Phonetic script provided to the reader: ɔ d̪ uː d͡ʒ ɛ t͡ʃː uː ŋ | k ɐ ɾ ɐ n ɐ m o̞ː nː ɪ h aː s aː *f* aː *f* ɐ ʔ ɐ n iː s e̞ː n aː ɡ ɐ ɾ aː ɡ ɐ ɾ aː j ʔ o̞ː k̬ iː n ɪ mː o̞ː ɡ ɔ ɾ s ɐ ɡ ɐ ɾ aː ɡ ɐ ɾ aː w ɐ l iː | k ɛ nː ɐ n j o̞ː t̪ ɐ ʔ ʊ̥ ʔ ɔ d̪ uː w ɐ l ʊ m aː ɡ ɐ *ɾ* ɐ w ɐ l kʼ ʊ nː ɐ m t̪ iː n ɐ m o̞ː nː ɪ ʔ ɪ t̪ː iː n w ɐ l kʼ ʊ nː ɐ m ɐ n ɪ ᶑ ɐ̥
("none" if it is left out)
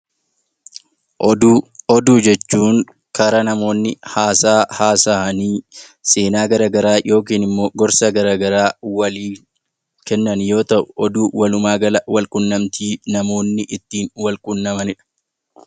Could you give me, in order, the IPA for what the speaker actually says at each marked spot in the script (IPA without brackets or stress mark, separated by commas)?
h, s, l